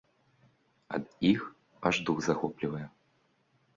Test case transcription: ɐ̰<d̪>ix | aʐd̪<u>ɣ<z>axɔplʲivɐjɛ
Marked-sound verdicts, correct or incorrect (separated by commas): correct, correct, correct